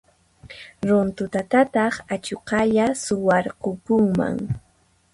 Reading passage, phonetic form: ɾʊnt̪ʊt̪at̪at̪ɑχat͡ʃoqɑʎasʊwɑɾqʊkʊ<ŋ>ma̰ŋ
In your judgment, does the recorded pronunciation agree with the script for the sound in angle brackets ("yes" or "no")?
yes